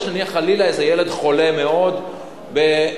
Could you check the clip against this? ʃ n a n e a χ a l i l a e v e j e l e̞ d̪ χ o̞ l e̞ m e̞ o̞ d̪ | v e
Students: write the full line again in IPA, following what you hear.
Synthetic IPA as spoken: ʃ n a n i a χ a l i l a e z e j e l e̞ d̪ χ o̞ l e̞ m e̞ o̞ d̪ | b e

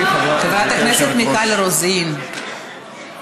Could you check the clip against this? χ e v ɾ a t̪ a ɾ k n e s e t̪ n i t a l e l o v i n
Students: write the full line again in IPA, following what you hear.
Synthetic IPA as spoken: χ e v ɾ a t̪ a k n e s e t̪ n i k a l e ɾ o z i n

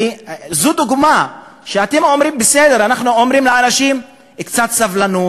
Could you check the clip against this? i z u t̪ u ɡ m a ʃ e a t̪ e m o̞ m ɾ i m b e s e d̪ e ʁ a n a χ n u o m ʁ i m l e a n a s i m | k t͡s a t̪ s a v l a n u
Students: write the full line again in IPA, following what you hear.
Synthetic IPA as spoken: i z u d̪ u ɡ m a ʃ e a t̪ e m o̞ m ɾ i m b e s e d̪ e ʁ a n a χ n u o m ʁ i m l e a n a ʃ i m | k t͡s a t̪ s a v l a n u

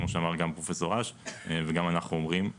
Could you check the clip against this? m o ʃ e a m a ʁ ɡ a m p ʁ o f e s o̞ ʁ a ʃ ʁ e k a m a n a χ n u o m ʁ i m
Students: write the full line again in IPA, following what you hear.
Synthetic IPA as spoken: m o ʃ e a m a ʁ ɡ a m p ʁ o f e s o̞ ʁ a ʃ v e ɡ a m a n a χ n u o m ʁ i m

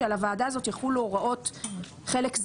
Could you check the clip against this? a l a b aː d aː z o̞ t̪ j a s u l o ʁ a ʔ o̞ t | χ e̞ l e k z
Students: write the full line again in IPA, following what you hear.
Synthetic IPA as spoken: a l a v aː d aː z o̞ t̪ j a χ u l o ʁ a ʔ o̞ t | χ e̞ l e k z

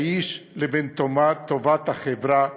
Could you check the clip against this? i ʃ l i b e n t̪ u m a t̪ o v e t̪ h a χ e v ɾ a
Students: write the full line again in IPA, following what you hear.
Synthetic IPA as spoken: i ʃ l e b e n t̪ o m a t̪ o v a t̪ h a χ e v ɾ a

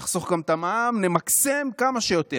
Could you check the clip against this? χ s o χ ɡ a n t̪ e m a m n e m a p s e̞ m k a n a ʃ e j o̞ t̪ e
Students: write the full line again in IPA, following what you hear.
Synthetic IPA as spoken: χ s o χ ɡ a m t̪ a m a m n e m a k s e̞ m k a m a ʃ e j o̞ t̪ e

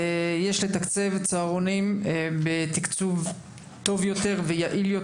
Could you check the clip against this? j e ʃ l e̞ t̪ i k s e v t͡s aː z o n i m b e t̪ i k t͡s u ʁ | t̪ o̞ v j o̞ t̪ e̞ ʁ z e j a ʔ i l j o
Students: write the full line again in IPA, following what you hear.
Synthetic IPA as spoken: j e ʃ l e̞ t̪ a k t͡s e v t͡s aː ʁ o n i m b e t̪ i k t͡s u v | t̪ o̞ v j o̞ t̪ e̞ ʁ v e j a ʔ i l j o

